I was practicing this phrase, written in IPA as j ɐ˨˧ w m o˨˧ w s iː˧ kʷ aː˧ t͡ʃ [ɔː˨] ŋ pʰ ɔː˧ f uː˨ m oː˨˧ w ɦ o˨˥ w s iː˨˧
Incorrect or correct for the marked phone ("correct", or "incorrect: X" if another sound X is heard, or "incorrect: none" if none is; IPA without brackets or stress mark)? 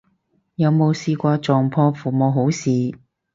correct